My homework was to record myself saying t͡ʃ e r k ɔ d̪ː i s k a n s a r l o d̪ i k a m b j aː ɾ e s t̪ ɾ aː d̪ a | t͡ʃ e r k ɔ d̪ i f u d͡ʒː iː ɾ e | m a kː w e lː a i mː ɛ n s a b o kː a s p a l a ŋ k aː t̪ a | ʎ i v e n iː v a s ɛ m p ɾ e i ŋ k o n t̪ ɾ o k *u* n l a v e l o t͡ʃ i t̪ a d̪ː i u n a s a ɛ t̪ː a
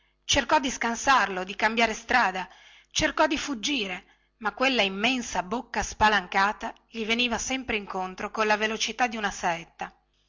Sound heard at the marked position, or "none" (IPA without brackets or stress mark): o